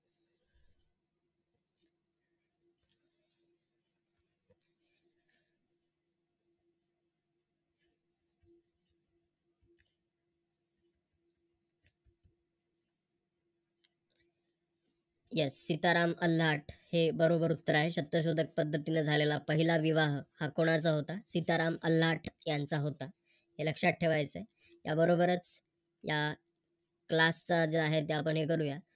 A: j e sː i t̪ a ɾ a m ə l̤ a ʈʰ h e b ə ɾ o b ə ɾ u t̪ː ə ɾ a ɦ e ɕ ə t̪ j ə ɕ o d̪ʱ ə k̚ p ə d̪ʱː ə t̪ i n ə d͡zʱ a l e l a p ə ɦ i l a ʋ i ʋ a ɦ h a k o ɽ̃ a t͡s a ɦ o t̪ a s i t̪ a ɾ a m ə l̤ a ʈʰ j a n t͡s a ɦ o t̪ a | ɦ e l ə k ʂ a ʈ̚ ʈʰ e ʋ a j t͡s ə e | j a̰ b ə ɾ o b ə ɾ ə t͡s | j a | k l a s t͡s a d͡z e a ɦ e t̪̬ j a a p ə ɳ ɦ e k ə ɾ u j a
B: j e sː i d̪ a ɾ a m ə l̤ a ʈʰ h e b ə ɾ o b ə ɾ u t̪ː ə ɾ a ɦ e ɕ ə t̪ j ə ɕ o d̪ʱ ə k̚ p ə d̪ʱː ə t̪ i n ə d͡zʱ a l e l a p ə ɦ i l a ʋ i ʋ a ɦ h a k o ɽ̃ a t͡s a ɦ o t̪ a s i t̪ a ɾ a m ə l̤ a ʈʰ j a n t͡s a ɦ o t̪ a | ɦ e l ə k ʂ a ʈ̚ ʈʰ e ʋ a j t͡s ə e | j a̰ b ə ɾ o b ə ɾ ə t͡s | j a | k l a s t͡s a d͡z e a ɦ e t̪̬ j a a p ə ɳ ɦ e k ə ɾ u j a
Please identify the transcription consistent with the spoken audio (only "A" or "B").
A